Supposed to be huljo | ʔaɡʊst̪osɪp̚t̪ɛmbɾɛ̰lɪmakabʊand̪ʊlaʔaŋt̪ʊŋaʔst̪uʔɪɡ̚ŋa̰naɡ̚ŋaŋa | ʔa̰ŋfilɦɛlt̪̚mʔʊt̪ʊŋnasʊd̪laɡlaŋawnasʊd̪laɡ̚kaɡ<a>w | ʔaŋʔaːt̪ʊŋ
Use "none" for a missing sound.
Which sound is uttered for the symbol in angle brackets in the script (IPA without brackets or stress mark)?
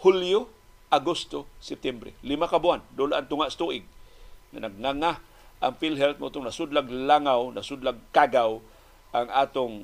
a